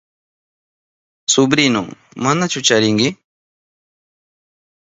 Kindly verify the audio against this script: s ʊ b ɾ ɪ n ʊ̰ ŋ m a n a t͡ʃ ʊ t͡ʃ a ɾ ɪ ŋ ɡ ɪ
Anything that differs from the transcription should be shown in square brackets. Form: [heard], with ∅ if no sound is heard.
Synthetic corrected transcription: s ʊ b ɾ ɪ n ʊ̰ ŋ m a n a t͡ʃ ʊ t͡ʃ a ɾ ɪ ŋ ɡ ɪ

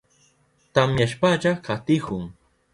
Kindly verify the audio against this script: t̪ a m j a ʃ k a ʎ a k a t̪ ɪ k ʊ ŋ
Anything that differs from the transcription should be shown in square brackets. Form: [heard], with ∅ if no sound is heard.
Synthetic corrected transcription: t̪ a m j a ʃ [p] a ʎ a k a t̪ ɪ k ʊ ŋ

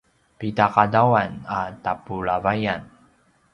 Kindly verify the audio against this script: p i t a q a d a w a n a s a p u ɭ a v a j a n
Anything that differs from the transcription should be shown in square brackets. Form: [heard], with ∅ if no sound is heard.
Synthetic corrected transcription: p i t a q a d a w a n a [t] a p u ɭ a v a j a n

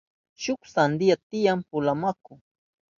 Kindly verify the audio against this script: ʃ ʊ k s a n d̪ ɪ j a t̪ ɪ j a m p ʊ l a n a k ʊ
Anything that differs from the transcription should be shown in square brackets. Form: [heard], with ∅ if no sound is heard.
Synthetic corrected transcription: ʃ ʊ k s a n d̪ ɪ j a t̪ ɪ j a m p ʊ l a [m] a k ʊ

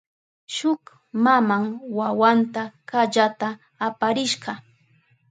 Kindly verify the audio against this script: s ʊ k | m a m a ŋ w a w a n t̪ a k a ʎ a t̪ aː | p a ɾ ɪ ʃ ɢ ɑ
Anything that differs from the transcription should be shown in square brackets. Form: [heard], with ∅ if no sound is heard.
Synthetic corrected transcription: [ʃ] ʊ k | m a m a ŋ w a w a n t̪ a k a ʎ a t̪ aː | p a ɾ ɪ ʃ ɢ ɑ

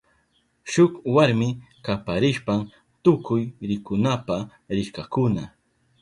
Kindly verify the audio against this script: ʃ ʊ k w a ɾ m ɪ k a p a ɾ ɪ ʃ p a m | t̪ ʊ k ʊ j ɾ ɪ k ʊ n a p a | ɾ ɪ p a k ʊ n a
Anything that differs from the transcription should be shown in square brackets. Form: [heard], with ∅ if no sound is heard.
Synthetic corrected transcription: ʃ ʊ k w a ɾ m ɪ k a p a ɾ ɪ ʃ p a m | t̪ ʊ k ʊ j ɾ ɪ k ʊ n a p a | ɾ ɪ [k] a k ʊ n a

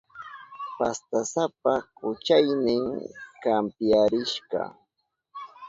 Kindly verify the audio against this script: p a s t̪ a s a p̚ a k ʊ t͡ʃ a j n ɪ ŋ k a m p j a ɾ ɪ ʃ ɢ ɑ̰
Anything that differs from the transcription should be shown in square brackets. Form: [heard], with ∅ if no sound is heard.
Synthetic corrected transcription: p a s t̪ a s a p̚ a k ʊ t͡ʃ a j n ɪ ŋ k a m p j a ɾ ɪ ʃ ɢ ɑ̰

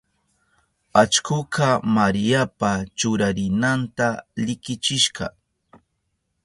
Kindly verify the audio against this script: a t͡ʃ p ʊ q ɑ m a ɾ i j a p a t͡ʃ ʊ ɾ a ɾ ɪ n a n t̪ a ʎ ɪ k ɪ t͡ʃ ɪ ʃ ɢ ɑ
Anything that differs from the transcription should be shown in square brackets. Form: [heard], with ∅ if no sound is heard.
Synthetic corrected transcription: a t͡ʃ [k] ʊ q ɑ m a ɾ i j a p a t͡ʃ ʊ ɾ a ɾ ɪ n a n t̪ a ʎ ɪ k ɪ t͡ʃ ɪ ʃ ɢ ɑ

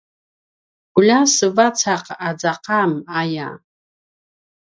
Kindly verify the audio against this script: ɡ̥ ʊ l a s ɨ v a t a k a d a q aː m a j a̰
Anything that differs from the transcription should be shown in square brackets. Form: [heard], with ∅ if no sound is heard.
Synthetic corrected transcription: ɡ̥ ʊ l a s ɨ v a [t͡sʰ] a [q] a [d͡z] a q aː m a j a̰

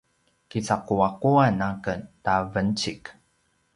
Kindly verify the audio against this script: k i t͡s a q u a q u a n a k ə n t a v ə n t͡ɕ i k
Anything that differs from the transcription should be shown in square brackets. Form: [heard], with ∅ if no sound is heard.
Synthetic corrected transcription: k i t͡s a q u a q u a n a k ə n t a v ə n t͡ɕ i k

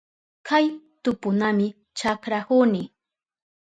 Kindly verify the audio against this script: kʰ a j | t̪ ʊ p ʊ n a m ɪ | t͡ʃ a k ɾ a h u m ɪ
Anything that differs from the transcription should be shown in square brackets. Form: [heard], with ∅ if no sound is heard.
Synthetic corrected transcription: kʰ a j | t̪ ʊ p ʊ n a m ɪ | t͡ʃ a k ɾ a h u [n] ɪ

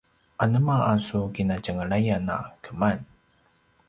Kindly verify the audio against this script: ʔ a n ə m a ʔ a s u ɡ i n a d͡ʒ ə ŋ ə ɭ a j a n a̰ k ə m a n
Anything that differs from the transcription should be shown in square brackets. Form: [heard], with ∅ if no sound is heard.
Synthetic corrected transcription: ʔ a n ə m a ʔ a s u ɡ i n a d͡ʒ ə ŋ ə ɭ a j a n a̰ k ə m a n

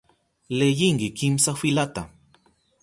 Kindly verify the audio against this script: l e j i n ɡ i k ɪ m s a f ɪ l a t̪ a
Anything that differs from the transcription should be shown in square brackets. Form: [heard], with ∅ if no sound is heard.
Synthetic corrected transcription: l e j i [ŋ] ɡ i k [i] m s a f [i] l a t̪ a

